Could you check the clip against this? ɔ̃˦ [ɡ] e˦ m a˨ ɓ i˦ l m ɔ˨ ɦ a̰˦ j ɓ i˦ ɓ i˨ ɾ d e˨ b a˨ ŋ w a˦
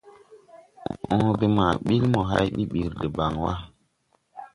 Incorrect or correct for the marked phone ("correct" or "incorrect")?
incorrect